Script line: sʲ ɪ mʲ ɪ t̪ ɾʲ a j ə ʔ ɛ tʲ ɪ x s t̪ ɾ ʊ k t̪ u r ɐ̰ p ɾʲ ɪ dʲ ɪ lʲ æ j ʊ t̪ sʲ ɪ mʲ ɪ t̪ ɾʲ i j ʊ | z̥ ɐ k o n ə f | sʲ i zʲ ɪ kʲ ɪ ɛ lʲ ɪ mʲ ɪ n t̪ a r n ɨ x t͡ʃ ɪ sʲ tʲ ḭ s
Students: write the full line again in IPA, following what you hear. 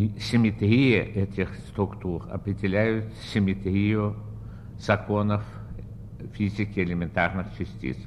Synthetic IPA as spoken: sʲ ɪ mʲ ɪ t̪ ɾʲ i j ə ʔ ɛ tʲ ɪ x s t̪ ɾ ʊ k t̪ u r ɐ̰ p ɾʲ ɪ dʲ ɪ lʲ æ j ʊ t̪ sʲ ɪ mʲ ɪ t̪ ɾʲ i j ʊ | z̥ ɐ k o n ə f | fʲ i zʲ ɪ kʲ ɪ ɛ lʲ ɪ mʲ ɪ n t̪ a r n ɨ x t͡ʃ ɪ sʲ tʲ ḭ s